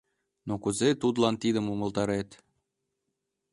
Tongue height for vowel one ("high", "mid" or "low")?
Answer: mid